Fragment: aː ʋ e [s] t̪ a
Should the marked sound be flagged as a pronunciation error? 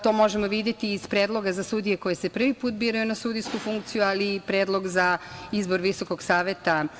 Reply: yes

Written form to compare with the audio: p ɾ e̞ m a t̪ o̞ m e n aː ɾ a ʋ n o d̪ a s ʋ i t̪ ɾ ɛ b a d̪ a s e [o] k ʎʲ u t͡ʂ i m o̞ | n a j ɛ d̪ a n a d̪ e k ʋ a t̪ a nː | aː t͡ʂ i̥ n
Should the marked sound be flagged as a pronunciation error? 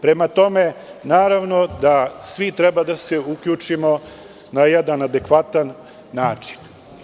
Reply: yes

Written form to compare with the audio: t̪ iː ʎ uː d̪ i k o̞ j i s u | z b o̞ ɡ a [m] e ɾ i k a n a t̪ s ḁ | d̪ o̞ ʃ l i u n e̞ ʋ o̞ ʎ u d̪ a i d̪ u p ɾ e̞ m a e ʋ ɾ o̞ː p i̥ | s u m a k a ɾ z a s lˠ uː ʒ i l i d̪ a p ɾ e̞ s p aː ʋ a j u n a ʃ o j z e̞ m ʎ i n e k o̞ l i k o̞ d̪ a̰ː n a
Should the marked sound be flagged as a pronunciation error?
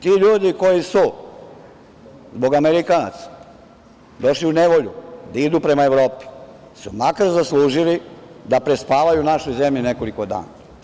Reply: no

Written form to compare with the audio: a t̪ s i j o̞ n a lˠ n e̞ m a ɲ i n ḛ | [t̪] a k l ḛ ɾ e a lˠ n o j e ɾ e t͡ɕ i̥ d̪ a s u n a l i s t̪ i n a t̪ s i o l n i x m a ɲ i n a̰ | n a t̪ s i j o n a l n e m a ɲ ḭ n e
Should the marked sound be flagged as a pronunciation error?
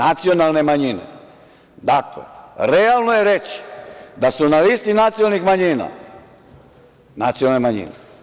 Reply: yes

